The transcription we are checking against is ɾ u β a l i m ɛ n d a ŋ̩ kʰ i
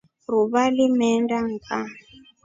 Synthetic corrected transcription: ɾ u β a l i m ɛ n d a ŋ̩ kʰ a